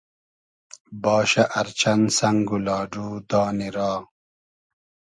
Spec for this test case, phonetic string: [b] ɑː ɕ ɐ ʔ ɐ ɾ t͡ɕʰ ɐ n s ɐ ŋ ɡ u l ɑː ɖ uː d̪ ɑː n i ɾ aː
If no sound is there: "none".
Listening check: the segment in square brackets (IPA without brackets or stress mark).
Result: b